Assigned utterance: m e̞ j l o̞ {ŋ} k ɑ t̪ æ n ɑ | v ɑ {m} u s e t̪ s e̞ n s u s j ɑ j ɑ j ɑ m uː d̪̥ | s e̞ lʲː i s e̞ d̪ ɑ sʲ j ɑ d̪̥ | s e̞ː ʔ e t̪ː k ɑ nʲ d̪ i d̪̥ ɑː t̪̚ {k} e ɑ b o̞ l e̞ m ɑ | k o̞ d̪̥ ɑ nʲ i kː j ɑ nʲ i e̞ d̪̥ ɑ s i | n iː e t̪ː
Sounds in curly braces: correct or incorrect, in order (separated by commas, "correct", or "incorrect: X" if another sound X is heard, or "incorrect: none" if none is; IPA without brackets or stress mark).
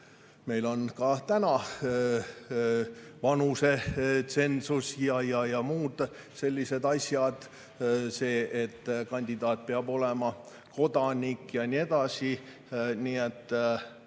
incorrect: n, incorrect: n, incorrect: p